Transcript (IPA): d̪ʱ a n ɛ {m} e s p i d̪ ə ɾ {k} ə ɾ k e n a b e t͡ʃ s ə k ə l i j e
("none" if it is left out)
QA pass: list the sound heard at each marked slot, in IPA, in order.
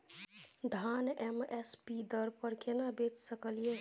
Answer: m, p

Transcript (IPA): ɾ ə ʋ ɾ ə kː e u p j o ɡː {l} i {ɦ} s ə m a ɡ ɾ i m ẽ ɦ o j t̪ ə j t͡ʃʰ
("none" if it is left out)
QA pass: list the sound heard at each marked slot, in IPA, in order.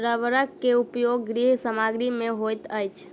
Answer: ɾ, ɦ

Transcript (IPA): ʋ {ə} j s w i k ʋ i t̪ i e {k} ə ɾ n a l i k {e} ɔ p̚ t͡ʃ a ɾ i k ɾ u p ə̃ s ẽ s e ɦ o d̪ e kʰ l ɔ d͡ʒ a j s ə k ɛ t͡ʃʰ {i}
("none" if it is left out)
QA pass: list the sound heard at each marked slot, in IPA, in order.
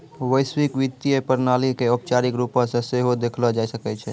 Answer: ə, p, e, ɛ

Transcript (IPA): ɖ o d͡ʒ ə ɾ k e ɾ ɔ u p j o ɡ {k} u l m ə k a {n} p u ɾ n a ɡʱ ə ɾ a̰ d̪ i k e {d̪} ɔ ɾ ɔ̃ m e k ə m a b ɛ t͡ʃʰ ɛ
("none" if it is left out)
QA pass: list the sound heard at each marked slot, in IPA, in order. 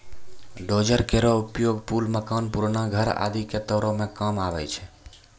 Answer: p, n, t̪

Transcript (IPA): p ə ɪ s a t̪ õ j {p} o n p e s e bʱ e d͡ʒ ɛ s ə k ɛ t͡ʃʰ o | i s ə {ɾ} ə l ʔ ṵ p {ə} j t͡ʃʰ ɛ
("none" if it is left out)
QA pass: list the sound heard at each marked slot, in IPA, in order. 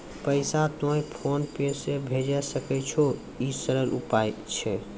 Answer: pʰ, ɾ, a

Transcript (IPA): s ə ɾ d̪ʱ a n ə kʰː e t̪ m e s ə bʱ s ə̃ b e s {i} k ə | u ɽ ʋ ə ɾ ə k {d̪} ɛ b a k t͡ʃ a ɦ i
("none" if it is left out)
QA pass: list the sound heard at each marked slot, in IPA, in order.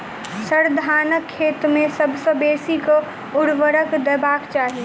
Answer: i, d̪

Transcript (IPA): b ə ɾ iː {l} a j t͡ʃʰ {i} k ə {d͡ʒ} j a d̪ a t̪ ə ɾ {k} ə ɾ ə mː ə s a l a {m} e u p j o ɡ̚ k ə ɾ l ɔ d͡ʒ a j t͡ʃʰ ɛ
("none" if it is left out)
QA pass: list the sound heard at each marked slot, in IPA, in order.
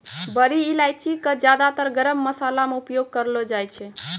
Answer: l, i, d͡ʒ, ɡ, m

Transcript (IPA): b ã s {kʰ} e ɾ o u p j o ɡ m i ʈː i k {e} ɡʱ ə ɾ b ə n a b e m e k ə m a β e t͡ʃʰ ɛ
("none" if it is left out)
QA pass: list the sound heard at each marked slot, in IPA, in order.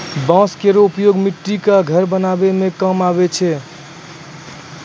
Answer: k, a

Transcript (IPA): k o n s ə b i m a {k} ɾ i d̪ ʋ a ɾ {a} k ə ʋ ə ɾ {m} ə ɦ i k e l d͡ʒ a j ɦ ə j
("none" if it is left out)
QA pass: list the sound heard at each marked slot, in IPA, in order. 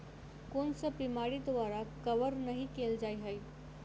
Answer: none, a, n

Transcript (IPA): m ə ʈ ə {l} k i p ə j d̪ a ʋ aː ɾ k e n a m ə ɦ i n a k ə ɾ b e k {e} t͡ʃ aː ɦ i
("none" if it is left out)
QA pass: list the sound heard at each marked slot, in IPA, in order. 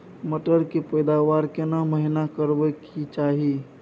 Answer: ɾ, i

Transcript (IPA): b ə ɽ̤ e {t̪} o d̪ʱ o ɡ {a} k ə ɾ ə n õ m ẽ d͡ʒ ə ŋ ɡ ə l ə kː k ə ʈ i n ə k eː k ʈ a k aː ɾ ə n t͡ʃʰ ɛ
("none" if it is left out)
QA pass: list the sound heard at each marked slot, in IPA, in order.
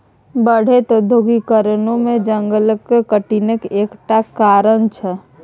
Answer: t̪, i

